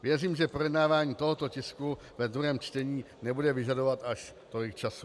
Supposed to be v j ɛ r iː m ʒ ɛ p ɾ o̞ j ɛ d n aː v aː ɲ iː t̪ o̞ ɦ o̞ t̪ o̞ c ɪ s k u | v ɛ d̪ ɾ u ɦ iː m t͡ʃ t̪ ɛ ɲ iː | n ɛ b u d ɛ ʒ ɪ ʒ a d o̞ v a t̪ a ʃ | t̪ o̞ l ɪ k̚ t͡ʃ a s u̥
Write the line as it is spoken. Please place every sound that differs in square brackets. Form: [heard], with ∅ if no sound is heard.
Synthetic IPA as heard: v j ɛ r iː m ʒ ɛ p ɾ o̞ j ɛ d n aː v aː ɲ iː t̪ o̞ ɦ o̞ t̪ o̞ c ɪ s k u | v ɛ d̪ ɾ u ɦ [ɛː] m t͡ʃ t̪ ɛ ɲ iː | n ɛ b u d ɛ [v] ɪ ʒ a d o̞ v a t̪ a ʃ | t̪ o̞ l ɪ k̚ t͡ʃ a s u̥